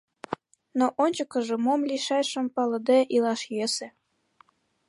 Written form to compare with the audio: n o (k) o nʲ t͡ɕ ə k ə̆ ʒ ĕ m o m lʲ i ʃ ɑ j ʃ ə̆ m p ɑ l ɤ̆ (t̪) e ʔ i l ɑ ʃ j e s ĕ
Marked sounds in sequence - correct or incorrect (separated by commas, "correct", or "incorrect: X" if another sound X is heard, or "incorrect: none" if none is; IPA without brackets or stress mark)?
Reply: incorrect: ʔ, incorrect: d̪